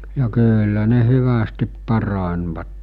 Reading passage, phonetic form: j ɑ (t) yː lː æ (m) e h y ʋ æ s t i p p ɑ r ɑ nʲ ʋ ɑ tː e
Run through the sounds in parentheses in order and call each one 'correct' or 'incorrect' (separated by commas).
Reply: incorrect, incorrect